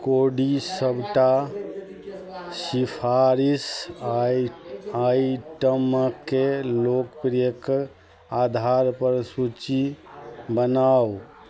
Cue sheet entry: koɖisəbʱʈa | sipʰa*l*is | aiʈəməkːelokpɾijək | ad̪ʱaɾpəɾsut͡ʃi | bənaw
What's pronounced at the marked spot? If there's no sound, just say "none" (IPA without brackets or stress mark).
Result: ɾ